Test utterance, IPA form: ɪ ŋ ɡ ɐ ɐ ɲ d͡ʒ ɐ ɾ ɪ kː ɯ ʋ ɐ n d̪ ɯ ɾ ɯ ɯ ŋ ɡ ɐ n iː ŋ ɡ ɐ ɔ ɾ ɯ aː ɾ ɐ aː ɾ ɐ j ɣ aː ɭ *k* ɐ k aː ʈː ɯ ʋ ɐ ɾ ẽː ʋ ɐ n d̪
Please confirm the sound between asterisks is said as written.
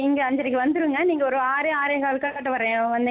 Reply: yes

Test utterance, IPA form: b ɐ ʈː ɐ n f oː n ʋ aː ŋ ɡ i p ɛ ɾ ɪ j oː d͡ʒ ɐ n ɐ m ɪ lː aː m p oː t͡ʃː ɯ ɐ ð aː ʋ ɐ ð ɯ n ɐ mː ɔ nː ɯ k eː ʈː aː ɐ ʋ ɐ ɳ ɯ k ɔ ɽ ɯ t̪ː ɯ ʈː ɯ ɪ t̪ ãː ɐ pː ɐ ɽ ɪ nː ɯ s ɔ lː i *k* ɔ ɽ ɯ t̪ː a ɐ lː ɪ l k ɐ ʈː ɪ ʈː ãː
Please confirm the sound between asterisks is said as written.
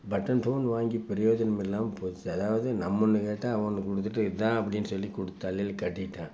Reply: yes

